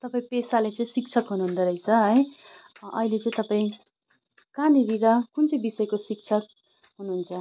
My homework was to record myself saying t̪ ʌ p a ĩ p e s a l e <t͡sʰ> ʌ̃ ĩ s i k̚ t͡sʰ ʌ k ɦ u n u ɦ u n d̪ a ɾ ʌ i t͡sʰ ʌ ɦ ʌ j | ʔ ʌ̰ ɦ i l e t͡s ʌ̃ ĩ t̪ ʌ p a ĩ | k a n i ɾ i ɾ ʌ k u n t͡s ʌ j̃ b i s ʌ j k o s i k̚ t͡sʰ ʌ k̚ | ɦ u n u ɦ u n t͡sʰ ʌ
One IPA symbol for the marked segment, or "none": t͡s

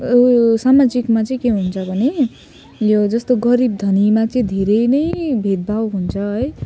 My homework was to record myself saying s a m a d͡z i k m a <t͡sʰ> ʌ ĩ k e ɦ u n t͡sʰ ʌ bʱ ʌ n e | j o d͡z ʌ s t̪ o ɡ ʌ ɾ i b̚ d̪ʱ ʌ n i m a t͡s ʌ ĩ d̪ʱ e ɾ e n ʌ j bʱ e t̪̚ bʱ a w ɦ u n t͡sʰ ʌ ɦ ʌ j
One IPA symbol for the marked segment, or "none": t͡s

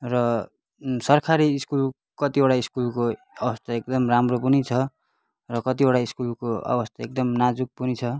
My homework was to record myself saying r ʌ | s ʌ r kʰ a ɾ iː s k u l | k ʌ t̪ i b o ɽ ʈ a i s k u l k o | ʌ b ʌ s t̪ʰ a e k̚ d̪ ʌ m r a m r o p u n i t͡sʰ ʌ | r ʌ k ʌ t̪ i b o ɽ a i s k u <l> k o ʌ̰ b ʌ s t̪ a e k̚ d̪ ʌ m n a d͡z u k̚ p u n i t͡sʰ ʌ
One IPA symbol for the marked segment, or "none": l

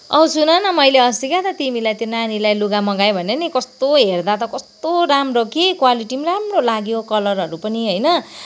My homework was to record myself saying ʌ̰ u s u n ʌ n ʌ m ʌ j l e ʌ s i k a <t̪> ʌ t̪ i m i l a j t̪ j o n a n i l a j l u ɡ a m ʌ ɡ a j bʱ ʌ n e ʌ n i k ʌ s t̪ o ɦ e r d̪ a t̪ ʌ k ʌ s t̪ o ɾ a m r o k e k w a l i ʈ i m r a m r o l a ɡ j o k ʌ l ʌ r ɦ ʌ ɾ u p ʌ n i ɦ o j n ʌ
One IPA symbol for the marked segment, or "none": t̪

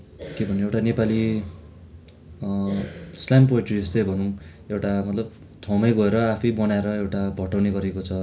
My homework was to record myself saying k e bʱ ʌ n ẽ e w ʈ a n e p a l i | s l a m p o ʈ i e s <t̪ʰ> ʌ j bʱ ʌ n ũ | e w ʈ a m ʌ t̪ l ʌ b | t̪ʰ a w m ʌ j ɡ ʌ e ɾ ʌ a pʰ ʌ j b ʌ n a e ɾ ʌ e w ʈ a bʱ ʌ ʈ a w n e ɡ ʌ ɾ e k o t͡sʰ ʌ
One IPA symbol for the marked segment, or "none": t̪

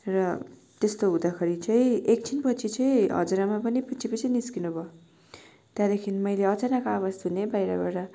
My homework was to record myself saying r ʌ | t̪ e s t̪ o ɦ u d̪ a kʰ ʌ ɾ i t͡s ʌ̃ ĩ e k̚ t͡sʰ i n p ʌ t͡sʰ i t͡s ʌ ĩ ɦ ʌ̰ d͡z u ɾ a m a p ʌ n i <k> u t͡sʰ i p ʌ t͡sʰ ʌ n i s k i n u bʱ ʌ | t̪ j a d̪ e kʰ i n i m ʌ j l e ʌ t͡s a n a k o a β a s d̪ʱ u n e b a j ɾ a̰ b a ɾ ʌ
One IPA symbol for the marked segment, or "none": p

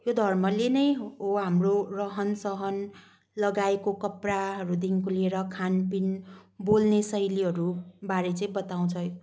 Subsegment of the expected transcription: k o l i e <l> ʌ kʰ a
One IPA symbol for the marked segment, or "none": ɾ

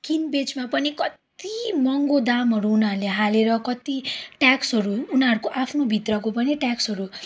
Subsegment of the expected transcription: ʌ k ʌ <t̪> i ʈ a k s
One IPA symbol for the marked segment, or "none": t̪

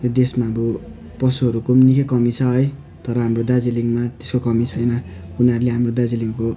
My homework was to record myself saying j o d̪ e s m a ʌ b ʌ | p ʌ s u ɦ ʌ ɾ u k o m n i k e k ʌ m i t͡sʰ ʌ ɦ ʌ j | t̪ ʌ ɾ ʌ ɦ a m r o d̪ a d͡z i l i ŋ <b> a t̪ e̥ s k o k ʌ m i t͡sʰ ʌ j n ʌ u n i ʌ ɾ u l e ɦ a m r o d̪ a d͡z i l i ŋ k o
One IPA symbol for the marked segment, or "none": m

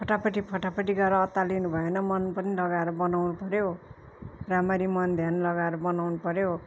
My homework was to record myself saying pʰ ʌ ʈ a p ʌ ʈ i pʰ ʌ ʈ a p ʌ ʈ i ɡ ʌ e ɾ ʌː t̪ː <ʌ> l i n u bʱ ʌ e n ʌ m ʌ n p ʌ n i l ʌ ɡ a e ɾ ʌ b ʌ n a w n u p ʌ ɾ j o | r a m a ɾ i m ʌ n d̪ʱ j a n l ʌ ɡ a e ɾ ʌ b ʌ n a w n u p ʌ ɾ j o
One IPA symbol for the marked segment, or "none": a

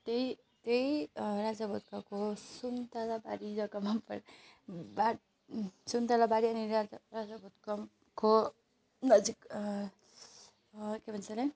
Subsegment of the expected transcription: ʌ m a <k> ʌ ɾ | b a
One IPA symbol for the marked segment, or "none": p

